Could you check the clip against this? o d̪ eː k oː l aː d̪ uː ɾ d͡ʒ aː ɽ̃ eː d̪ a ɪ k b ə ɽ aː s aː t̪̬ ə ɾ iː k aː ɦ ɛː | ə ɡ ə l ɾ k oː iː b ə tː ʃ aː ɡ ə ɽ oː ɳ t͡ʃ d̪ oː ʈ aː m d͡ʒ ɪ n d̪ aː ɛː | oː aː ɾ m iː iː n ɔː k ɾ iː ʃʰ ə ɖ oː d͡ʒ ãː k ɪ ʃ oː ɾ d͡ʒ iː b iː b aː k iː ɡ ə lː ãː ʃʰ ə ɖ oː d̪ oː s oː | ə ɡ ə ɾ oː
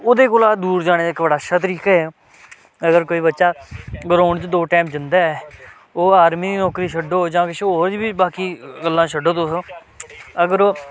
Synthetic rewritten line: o d̪ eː k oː l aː d̪ uː ɾ d͡ʒ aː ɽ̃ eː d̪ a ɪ k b ə ɽ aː ʃ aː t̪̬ ə ɾ iː k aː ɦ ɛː | ə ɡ ə ɾ k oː iː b ə tː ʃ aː ɡ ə ɾ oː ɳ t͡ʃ d̪ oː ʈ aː m d͡ʒ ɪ n d̪ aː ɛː | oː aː ɾ m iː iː n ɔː k ɾ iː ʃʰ ə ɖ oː d͡ʒ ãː k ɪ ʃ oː ɾ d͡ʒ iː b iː b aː k iː ɡ ə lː ãː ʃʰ ə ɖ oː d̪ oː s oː | ə ɡ ə ɾ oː

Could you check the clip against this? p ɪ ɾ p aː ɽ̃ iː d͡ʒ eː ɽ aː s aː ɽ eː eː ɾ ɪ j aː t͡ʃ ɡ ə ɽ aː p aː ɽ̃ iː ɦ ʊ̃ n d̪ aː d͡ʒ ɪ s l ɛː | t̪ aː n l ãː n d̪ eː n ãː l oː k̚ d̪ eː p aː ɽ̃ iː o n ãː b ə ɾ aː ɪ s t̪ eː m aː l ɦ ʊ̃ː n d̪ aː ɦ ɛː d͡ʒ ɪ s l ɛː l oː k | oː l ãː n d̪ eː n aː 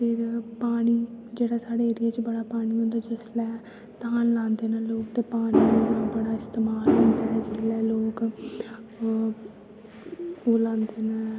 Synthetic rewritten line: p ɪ ɾ p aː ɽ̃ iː d͡ʒ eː ɽ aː s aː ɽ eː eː ɾ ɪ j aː t͡ʃ b ə ɽ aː p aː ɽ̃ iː ɦ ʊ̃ n d̪ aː d͡ʒ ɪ s l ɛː | t̪ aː n l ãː n d̪ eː n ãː l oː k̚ t̪ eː p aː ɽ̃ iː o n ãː b ə ɽ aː ɪ s t̪ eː m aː l ɦ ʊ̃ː n d̪ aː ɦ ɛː d͡ʒ ɪ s l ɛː l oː k | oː l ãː n d̪ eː n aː

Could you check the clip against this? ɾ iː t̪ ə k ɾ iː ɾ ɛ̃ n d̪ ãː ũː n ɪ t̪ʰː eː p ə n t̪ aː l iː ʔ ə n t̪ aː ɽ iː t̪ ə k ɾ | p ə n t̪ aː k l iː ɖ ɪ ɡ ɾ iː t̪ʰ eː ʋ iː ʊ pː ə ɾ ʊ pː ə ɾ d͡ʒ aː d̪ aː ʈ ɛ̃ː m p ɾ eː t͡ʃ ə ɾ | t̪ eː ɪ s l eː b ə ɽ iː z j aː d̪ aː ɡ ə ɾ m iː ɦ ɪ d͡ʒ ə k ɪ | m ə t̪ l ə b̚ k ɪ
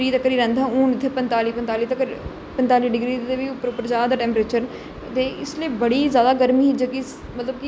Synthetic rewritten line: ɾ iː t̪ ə k ɾ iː ɾ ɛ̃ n d̪ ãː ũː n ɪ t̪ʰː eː p ə n t̪ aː l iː p ə n t̪ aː l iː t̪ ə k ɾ | p ə n t̪ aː l iː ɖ ɪ ɡ ɾ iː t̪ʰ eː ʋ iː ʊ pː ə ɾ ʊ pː ə ɾ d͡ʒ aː d̪ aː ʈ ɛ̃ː m p ɾ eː t͡ʃ ə ɾ | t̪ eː ɪ s l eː b ə ɽ iː z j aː d̪ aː ɡ ə ɾ m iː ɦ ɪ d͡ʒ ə k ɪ | m ə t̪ l ə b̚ k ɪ

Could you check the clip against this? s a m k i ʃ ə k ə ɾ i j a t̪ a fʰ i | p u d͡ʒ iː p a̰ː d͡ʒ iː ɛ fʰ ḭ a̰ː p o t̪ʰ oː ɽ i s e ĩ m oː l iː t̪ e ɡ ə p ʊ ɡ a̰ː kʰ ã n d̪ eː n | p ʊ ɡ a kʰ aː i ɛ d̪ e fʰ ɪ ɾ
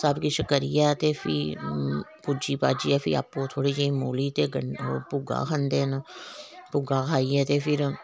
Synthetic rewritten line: s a b k i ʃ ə k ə ɾ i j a t̪ e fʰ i | p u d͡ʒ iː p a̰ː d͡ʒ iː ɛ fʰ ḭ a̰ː p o t̪ʰ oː ɽ i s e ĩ m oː l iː t̪ e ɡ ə p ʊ ɡ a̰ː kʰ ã n d̪ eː n | p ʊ ɡ a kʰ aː i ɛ t̪ e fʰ ɪ ɾ

